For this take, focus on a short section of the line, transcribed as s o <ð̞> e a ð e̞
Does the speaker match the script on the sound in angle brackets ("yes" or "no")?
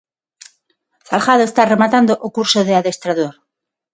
yes